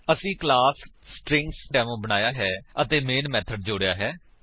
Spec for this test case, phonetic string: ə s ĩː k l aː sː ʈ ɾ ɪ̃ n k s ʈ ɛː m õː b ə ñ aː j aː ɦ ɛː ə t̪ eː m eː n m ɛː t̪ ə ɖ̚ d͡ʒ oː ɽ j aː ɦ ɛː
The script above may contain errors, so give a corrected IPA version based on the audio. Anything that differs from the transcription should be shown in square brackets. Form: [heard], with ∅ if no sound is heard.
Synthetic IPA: ə s ĩː k l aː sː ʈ ɾ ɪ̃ [ŋ] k s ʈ ɛː m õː b ə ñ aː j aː ɦ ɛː ə t̪ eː m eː n m ɛː [t̪ʰ] ə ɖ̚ d͡ʒ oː ɽ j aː ɦ ɛː